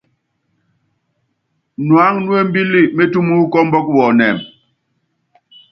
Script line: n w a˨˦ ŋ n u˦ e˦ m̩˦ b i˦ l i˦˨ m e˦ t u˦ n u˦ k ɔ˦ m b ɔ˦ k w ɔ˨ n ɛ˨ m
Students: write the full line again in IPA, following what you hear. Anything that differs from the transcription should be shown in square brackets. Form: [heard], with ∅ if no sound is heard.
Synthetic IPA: n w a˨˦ ŋ n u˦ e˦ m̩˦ b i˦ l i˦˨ m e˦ t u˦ [m] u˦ k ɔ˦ m b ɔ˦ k w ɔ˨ n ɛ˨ m